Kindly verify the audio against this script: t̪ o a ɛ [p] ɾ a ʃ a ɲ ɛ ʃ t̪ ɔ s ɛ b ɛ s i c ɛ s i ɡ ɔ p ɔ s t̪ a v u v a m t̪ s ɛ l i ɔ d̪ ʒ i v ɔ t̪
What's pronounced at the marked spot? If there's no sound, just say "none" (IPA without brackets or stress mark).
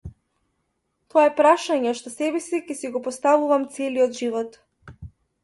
p